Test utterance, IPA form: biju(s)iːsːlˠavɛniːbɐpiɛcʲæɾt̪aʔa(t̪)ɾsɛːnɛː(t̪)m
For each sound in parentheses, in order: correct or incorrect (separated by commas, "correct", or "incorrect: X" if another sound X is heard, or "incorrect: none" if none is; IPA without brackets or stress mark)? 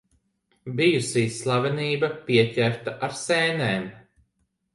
correct, incorrect: none, incorrect: none